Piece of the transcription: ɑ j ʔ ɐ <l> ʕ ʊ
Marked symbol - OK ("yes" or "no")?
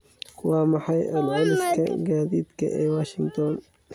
yes